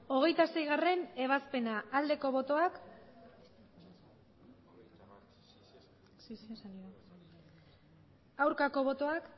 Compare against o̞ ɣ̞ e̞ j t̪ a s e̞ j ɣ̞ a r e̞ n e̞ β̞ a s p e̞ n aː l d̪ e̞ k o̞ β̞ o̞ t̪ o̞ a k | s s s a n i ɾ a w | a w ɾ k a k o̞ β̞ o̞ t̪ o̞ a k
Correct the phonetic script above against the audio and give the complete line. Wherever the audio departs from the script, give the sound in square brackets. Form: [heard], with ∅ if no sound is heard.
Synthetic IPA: o̞ ɣ̞ e̞ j t̪ a s e̞ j ɣ̞ a r e̞ n e̞ β̞ a s p e̞ n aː l d̪ e̞ k o̞ β̞ o̞ t̪ o̞ a k | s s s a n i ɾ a [∅] | a w ɾ k a k o̞ β̞ o̞ t̪ o̞ a k